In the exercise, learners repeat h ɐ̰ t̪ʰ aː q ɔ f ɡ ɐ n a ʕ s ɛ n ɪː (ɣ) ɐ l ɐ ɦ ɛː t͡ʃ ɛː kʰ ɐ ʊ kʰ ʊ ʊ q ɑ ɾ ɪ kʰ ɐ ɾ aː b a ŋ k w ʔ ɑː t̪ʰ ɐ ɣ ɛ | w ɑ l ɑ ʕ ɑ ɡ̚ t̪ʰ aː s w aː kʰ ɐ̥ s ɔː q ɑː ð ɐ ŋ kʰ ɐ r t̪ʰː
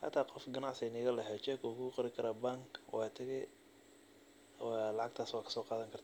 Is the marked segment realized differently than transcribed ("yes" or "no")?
no